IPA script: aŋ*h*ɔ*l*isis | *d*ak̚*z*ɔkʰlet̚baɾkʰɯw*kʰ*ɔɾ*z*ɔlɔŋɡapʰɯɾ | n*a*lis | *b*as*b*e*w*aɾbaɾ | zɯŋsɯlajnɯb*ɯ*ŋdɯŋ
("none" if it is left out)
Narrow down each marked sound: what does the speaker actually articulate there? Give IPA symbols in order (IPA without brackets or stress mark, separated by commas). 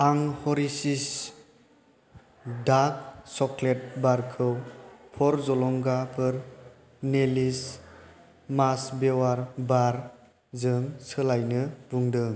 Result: h, ɾ, d, s, pʰ, z, e, m, b, w, u